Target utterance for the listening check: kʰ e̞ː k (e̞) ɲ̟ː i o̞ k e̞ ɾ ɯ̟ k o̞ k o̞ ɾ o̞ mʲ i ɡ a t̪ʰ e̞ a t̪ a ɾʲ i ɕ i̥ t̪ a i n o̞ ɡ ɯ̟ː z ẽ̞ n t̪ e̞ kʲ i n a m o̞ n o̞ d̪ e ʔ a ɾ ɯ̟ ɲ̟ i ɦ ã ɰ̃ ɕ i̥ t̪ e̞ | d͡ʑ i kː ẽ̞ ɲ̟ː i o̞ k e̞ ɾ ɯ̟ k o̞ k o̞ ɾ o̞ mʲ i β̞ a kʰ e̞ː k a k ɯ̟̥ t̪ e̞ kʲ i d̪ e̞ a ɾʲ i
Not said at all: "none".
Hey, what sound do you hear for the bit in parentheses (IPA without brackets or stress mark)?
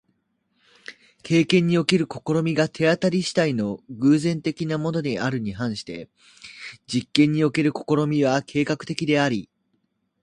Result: ẽ̞